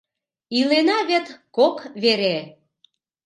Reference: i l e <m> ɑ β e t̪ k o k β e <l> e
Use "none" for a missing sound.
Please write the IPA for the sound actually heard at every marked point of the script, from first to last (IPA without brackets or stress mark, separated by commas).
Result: n, ɾ